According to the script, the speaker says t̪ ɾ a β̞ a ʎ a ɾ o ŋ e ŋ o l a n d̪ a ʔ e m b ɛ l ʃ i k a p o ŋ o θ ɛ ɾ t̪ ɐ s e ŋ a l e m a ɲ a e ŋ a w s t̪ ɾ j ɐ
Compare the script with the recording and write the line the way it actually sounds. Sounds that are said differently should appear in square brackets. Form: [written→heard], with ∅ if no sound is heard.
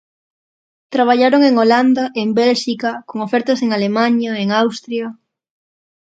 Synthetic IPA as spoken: t̪ ɾ a β̞ a ʎ a ɾ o ŋ e ŋ o l a n d̪ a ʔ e m b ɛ l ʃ i k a [p→k] o ŋ o [θ→f] ɛ ɾ t̪ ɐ s e ŋ a l e m a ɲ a e ŋ a w s t̪ ɾ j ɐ